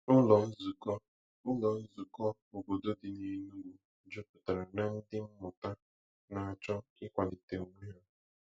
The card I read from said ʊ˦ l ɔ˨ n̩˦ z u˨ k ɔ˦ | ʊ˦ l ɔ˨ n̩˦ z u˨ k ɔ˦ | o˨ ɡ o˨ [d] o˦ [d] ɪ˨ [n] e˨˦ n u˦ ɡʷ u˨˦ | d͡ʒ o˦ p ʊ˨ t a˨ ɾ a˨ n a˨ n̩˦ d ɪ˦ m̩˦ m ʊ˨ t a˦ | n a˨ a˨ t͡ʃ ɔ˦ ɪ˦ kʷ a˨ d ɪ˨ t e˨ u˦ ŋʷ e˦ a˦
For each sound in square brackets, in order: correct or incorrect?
correct, correct, incorrect: ɲ

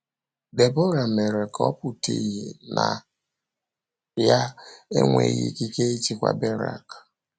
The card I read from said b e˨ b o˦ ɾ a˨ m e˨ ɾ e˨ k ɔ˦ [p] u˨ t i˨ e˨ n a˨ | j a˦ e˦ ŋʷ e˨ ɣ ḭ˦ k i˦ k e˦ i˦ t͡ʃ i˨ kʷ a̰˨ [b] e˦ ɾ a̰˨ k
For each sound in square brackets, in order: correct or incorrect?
correct, correct

